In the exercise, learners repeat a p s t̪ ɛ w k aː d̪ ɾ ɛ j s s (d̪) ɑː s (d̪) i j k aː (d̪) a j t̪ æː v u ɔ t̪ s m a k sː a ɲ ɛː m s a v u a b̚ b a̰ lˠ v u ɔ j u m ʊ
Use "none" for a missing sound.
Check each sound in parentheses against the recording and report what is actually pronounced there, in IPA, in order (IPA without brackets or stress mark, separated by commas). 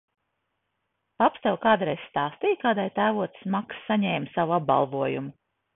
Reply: t̪, t̪, d̪